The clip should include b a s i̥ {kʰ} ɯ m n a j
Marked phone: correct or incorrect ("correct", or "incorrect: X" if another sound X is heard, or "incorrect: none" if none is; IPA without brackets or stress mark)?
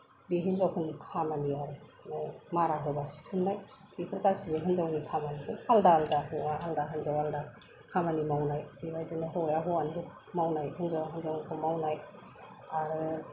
incorrect: tʰ